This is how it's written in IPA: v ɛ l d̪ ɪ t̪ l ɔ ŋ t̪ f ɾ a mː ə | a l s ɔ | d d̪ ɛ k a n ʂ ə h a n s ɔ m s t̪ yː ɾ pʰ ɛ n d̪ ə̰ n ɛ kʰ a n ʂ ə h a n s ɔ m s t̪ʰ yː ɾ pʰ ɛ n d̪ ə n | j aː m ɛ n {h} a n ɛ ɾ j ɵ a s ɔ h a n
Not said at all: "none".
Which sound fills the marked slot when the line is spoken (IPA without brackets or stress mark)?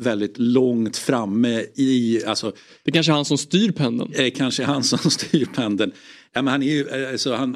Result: h